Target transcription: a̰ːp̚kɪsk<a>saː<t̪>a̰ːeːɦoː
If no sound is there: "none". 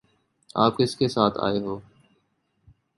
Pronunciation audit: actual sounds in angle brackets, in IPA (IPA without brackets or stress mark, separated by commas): e, t̪ʰ